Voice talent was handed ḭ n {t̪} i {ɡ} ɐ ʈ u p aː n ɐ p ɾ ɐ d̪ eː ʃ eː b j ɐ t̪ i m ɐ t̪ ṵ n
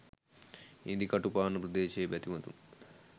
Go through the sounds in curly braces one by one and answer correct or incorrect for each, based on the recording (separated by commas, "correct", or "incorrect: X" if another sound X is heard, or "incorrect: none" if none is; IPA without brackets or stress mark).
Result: incorrect: d̪, incorrect: k